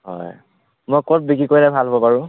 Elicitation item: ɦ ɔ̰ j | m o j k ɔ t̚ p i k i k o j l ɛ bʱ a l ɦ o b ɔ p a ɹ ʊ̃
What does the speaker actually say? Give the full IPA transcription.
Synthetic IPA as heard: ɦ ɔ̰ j | m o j k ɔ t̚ b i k i k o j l ɛ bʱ a l ɦ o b ɔ p a ɹ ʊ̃